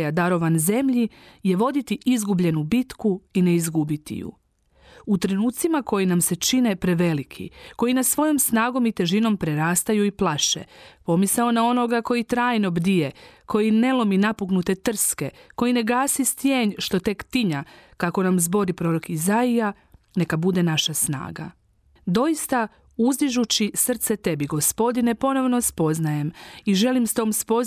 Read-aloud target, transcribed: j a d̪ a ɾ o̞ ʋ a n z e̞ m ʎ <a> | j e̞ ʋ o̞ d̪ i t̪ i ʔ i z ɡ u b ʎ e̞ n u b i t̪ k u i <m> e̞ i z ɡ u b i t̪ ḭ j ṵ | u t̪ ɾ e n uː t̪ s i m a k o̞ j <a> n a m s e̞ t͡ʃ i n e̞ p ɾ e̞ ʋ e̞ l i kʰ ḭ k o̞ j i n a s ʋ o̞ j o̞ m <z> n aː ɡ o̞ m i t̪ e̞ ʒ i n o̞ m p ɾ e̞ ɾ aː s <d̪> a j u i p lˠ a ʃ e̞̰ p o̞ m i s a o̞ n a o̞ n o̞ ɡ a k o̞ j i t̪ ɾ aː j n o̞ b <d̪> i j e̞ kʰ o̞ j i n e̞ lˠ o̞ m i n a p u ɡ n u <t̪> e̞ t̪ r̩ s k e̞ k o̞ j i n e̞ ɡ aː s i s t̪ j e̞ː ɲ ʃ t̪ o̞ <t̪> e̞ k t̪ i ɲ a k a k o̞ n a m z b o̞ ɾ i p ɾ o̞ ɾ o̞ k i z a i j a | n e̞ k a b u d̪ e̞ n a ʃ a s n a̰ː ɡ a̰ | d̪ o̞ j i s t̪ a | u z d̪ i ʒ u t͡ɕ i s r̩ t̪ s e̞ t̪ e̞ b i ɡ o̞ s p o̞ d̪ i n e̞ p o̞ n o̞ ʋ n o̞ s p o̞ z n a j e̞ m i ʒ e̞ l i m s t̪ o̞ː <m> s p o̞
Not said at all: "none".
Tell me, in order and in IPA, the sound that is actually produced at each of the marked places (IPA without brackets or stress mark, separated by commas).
i, n, i, s, t̪, d̪, t̪, t̪, m